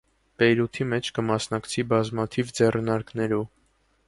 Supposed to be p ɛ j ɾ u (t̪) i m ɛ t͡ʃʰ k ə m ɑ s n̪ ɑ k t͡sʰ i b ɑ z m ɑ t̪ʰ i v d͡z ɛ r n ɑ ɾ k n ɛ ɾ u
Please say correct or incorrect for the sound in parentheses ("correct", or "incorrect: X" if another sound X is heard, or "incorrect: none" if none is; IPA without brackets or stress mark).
incorrect: t̪ʰ